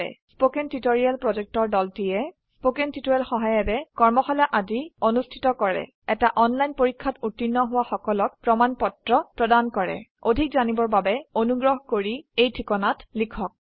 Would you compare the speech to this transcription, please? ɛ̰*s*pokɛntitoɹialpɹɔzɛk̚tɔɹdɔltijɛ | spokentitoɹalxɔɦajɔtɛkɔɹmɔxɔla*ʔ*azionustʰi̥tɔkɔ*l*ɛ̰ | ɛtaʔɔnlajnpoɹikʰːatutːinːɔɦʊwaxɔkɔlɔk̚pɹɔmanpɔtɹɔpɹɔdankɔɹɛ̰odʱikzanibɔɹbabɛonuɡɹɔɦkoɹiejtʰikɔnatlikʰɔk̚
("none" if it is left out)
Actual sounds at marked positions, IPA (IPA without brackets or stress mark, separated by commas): s, ʔ, ɹ